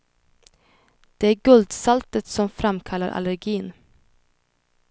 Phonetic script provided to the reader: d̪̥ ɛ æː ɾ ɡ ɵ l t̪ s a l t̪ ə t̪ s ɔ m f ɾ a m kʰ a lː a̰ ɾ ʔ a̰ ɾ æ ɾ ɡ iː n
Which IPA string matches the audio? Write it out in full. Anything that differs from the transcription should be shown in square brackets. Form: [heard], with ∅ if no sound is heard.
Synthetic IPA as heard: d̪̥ ɛ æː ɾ ɡ ɵ l [d̪] s a l t̪ ə t̪ s ɔ m f ɾ a m kʰ a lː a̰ ɾ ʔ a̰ [l] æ ɾ ɡ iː n